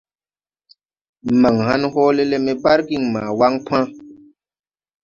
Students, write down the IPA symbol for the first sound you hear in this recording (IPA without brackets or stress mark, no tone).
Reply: m